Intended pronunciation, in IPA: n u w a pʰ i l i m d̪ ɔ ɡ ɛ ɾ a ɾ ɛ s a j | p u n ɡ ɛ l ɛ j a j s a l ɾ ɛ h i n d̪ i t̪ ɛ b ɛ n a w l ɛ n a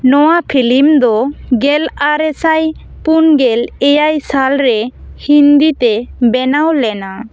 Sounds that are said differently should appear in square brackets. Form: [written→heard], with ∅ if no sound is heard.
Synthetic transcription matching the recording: n [u→ɔ] w a pʰ i l i m d̪ ɔ ɡ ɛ [ɾ→l] a ɾ ɛ s a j | p u n ɡ ɛ l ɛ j a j s a l ɾ ɛ h i n d̪ i t̪ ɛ b ɛ n a w l ɛ n a